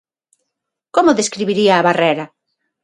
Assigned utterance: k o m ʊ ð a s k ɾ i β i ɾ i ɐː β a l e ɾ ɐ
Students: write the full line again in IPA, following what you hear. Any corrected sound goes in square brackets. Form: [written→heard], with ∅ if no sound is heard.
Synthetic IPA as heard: k o m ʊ ð [a→e] s k ɾ i β i ɾ i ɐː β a [l→r] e ɾ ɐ